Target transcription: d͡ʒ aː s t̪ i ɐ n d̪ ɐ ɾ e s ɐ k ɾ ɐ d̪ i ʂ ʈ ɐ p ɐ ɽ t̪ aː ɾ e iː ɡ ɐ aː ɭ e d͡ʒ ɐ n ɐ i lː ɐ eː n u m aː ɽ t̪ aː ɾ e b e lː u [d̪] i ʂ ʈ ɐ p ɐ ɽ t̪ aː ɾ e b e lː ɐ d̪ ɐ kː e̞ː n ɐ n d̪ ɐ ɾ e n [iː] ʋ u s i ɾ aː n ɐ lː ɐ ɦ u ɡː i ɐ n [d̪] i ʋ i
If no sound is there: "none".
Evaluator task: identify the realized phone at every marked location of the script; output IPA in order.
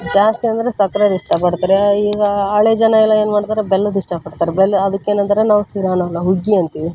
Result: d̪, aː, t̪

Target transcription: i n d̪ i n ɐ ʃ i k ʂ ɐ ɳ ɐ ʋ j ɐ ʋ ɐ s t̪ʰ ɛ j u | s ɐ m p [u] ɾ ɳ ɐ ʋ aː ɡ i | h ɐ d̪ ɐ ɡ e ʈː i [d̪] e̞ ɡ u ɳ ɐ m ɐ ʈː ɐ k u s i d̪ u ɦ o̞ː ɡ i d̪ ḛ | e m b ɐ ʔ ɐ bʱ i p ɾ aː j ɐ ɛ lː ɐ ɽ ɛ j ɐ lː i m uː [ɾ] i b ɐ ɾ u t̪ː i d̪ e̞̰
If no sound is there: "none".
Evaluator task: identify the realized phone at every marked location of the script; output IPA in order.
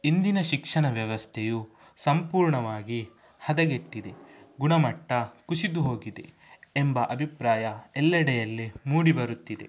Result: uː, d̪, ɽ

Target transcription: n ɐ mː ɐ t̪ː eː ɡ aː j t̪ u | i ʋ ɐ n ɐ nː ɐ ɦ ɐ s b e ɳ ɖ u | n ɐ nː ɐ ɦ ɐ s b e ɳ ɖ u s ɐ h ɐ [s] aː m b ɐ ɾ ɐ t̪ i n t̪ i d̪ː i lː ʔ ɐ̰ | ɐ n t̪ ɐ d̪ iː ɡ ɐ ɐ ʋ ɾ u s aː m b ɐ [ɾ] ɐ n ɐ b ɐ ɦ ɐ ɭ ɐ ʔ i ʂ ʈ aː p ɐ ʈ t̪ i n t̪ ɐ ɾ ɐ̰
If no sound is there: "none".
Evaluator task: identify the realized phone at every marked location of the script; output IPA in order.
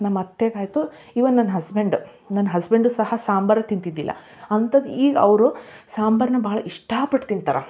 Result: s, ɾ

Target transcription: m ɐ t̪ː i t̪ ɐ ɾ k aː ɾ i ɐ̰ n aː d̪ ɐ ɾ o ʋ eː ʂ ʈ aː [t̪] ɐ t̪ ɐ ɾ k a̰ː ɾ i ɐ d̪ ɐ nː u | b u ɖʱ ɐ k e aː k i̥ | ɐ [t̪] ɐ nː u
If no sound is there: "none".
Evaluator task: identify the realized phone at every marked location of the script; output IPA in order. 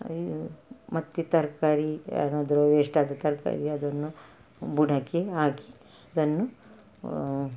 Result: d̪, d̪

